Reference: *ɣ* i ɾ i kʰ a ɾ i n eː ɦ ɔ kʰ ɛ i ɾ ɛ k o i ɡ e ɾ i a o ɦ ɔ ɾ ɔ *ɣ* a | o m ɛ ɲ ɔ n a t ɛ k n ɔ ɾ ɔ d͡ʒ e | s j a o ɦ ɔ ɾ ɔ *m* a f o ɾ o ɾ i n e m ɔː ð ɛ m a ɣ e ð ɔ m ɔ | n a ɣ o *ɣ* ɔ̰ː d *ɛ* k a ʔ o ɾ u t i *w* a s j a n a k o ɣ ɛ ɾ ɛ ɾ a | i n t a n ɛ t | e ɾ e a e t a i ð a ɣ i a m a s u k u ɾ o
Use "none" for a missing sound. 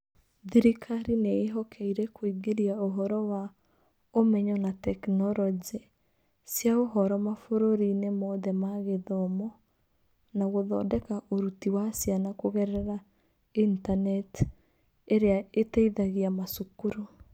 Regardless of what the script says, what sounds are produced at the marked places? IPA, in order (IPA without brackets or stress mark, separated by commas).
ð, w, m, ð, ɛ, w